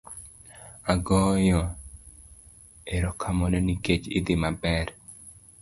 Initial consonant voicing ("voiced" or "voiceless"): voiced